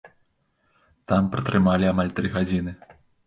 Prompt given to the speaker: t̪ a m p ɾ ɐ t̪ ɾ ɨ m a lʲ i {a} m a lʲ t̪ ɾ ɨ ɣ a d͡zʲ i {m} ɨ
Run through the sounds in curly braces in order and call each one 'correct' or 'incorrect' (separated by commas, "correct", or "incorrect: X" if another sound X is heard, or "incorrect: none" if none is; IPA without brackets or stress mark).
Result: correct, incorrect: n